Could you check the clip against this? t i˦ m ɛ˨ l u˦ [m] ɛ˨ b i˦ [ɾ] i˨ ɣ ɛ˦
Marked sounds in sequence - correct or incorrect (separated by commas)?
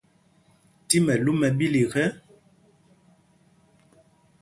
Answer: correct, incorrect